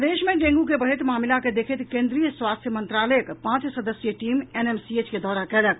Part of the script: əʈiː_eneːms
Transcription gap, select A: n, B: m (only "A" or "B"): B